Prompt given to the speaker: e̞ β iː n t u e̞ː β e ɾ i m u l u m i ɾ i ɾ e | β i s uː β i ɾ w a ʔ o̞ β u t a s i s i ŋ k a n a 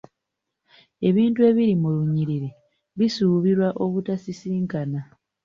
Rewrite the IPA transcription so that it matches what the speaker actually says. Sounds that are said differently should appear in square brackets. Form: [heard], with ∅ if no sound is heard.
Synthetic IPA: e̞ β iː n t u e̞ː β [i] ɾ i m u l u [ɲ] i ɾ i ɾ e | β i s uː β i ɾ w a ʔ o̞ β u t a s i s [iː] ŋ k a n a